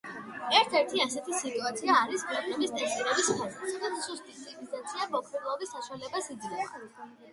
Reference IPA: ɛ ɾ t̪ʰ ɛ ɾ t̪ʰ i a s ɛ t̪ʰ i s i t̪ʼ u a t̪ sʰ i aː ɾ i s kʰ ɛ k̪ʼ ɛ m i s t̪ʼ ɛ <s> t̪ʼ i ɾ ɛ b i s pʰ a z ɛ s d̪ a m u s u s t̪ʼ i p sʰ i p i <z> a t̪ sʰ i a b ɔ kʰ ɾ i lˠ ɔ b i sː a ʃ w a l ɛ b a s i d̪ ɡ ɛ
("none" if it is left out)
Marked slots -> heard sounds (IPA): s, z

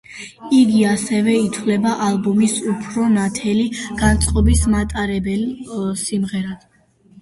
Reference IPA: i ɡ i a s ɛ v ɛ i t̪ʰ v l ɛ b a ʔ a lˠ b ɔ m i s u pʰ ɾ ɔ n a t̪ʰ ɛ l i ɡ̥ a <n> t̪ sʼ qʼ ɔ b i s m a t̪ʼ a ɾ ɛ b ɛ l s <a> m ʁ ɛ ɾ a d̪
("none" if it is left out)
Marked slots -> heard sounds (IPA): n, i

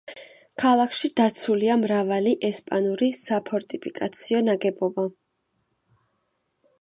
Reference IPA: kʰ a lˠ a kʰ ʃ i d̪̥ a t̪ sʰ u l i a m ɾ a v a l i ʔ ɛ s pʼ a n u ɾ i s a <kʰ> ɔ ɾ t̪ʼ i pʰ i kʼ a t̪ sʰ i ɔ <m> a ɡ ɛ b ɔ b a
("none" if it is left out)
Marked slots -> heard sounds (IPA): pʰ, n

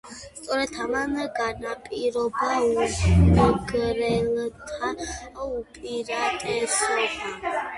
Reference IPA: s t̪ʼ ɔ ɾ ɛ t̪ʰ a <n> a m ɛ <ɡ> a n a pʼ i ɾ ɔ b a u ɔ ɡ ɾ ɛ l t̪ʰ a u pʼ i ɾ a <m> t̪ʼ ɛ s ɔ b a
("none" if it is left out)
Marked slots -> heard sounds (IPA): m, ɡ, none

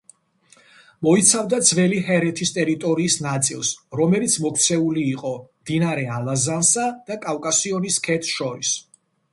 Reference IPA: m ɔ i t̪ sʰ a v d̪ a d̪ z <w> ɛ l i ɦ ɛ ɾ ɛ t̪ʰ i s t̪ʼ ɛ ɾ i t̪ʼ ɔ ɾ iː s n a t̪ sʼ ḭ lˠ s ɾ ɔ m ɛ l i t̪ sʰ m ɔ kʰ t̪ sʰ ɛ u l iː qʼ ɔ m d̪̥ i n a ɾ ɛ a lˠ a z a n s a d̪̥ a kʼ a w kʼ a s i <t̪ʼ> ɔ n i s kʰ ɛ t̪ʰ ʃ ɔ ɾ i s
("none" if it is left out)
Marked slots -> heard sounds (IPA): v, none

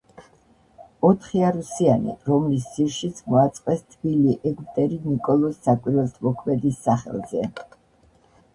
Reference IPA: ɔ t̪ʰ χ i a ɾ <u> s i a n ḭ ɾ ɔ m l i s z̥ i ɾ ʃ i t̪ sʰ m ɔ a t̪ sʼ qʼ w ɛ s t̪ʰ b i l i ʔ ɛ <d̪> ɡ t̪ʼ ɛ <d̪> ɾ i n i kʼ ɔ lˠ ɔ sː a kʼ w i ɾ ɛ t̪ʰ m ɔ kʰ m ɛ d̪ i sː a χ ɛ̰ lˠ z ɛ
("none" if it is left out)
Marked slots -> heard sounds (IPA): u, none, none

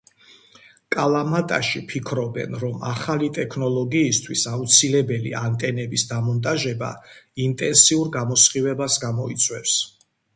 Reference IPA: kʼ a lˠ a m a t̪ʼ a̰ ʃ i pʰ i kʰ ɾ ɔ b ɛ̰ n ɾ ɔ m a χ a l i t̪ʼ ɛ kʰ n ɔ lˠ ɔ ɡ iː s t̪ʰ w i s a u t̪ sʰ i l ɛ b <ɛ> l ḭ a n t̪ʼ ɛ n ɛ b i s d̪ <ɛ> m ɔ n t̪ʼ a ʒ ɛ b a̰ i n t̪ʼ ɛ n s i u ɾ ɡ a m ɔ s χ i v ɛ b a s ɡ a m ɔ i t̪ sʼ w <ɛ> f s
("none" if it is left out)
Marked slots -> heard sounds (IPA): ɛ, a, ɛ

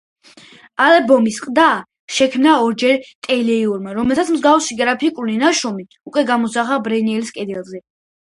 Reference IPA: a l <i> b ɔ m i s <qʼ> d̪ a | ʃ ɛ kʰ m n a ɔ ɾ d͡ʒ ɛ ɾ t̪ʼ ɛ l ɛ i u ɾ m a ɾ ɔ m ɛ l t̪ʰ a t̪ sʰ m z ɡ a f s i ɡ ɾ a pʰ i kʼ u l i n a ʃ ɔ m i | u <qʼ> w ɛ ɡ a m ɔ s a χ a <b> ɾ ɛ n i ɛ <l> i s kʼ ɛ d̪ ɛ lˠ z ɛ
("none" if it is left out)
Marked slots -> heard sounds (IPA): ɛ, qʼ, kʼ, b, l

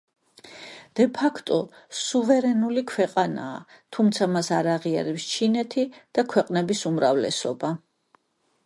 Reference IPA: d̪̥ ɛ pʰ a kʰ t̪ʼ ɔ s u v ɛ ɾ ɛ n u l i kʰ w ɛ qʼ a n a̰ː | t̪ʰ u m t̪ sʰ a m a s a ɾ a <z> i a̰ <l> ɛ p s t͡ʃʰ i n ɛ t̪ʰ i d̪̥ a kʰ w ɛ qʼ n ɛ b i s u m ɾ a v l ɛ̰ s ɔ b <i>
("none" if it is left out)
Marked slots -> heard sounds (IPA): ʁ, ɾ, a

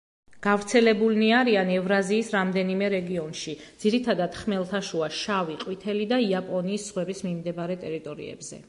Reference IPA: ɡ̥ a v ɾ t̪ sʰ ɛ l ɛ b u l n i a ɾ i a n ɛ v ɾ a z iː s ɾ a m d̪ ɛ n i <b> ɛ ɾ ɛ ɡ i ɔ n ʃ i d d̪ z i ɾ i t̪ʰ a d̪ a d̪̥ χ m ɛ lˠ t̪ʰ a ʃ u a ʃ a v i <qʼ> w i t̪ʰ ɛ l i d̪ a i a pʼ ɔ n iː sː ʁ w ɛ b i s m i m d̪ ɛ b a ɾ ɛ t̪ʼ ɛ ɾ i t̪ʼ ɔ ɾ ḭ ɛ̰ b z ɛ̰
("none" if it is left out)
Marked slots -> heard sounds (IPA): m, qʼ

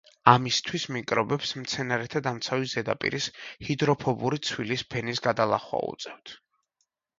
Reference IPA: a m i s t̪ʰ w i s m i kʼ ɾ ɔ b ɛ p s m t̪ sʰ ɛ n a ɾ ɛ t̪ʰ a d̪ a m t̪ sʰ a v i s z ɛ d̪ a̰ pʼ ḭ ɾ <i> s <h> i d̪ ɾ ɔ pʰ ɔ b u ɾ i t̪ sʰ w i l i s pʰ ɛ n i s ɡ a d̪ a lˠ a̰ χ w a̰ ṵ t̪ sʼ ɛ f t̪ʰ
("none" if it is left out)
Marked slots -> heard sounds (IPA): i, h

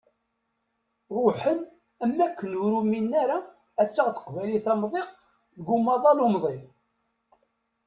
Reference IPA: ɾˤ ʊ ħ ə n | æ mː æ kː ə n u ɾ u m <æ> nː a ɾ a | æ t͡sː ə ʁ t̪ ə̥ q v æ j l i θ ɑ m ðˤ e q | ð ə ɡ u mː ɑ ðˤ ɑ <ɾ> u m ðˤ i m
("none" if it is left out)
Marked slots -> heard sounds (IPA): i, l

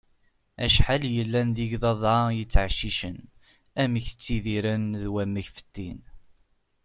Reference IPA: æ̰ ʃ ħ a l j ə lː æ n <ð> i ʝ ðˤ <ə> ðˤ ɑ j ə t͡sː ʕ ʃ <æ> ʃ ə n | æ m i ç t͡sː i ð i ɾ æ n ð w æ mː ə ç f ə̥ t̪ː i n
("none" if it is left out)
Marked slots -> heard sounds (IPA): ð, ɑ, i

